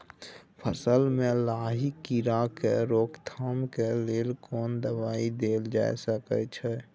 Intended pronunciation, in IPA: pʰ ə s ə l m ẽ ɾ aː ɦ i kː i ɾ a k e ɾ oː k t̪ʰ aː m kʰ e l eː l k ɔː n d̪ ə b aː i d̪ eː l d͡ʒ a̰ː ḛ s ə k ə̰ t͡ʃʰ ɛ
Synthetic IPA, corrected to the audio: pʰ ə s ə l m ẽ l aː ɦ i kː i ɾ a k e ɾ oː k t̪ʰ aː m k e l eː l k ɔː n d̪ ə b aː i d̪ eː l d͡ʒ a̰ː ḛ s ə k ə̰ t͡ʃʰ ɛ